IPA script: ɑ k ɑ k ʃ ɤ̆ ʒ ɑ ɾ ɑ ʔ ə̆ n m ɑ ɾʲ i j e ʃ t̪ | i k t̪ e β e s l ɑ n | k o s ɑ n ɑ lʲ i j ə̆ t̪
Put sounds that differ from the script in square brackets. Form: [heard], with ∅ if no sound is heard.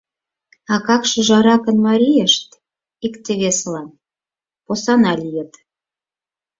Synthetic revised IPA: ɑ k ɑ k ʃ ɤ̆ ʒ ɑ ɾ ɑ [k] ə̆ n m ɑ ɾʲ i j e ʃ t̪ | i k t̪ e β e s l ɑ n | [p] o s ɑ n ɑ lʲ i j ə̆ t̪